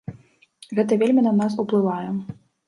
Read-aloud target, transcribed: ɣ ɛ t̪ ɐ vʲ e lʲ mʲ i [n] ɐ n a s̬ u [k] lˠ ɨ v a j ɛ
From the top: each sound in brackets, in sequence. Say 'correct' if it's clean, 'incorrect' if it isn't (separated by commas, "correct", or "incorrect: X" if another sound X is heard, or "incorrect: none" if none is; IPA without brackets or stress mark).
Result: correct, incorrect: p